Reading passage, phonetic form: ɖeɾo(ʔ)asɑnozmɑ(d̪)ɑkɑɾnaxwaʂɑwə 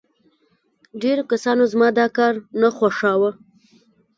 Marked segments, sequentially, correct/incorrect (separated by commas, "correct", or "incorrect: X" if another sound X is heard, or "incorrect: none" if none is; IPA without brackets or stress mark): incorrect: k, correct